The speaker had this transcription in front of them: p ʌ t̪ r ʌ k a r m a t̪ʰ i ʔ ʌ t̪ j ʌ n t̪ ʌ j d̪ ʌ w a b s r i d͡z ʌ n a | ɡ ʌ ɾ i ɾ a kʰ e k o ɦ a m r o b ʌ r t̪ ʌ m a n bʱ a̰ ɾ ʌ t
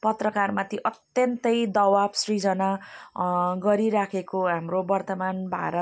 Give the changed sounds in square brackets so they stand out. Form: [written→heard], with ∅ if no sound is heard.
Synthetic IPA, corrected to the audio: p ʌ t̪ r ʌ k a r m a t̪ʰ i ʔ ʌ t̪ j ʌ n t̪ ʌ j d̪ ʌ w a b s r i d͡z ʌ n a | ɡ ʌ ɾ i ɾ a kʰ e k o ɦ a m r o b ʌ r t̪ ʌ m a n bʱ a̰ ɾ ʌ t